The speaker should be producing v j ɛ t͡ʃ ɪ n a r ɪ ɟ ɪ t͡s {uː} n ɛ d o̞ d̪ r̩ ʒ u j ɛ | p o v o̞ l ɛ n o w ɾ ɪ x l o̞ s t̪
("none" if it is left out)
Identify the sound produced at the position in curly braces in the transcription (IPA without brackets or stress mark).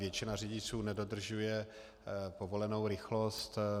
uː